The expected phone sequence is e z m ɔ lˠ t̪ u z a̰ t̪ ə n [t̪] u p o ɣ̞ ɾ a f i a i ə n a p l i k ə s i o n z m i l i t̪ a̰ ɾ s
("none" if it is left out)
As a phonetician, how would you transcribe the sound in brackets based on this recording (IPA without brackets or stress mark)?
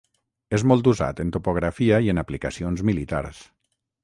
t̪